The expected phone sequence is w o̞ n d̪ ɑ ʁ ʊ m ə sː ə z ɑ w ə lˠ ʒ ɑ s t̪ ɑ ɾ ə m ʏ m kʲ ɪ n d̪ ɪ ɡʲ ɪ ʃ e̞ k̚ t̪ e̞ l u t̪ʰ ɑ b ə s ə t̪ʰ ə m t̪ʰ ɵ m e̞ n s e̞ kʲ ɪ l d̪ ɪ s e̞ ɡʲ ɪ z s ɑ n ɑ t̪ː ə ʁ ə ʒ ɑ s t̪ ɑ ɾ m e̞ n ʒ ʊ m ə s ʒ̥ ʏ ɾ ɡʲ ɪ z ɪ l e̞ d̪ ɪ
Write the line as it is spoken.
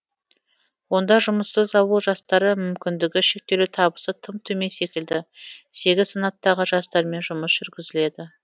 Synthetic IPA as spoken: w o̞ n d̪ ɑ ʒ ʊ m ə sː ə z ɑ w ə lˠ ʒ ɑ s t̪ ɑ ɾ ə m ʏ m kʲ ɪ n d̪ ɪ ɡʲ ɪ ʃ e̞ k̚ t̪ e̞ l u t̪ʰ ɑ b ə s ə t̪ʰ ə m t̪ʰ ɵ m e̞ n s e̞ kʲ ɪ l d̪ ɪ s e̞ ɡʲ ɪ z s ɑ n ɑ t̪ː ɑ ʁ ə ʒ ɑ s t̪ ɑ ɾ m e̞ n ʒ ʊ m ə s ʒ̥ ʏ ɾ ɡʲ ɪ z ɪ l e̞ d̪ ɪ